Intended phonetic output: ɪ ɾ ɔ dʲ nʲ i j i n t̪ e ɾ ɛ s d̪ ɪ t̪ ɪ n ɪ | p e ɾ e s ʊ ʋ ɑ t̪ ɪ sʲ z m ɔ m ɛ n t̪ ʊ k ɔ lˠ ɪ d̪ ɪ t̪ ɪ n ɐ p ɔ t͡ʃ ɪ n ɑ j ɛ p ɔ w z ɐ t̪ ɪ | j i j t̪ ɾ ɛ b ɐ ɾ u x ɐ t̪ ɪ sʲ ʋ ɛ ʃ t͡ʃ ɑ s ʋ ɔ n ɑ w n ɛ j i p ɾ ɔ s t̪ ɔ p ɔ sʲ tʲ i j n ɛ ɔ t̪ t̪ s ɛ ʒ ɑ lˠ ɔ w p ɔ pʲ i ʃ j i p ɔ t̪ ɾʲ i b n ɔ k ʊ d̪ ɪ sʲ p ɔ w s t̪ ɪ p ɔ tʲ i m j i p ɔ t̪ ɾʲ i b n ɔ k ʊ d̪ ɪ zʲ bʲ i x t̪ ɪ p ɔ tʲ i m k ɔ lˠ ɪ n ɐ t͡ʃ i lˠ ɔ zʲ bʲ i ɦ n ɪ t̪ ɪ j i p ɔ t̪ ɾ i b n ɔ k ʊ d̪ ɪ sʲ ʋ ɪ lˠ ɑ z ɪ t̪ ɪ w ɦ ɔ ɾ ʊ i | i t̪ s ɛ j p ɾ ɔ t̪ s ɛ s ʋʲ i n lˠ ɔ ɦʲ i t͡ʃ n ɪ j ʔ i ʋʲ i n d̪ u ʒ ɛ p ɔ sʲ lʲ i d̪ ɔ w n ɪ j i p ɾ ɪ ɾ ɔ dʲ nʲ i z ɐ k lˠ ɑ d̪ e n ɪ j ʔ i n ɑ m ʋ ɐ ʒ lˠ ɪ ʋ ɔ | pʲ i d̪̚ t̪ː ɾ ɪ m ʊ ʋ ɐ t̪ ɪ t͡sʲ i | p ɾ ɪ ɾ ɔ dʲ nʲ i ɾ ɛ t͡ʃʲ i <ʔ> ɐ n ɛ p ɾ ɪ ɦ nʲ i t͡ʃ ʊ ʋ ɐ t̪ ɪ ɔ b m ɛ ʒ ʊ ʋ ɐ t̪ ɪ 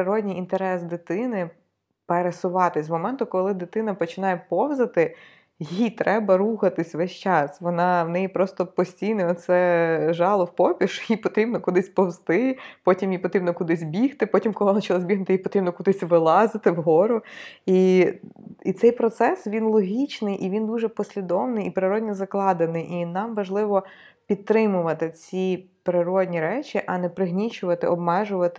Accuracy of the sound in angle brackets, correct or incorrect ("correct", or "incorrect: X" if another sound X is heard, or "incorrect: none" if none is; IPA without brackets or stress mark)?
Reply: correct